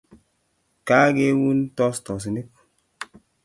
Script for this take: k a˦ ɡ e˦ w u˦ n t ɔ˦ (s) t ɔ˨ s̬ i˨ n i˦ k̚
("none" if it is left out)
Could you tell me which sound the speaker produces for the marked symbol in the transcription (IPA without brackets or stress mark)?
s